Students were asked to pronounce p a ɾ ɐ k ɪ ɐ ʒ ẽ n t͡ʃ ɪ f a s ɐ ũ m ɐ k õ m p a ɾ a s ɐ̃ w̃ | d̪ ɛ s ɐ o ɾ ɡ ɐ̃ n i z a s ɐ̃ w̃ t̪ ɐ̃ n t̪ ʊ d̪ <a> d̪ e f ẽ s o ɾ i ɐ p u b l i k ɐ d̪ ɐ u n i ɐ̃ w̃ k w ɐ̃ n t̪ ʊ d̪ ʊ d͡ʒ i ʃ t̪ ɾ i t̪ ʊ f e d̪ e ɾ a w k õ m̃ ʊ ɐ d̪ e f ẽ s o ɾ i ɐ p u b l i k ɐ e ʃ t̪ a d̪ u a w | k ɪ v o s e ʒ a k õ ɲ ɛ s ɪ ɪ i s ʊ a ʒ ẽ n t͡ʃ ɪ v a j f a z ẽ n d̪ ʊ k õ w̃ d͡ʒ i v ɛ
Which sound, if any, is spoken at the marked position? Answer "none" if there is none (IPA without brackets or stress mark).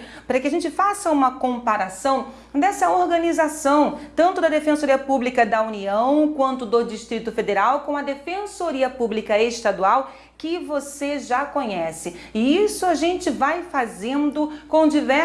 ɐ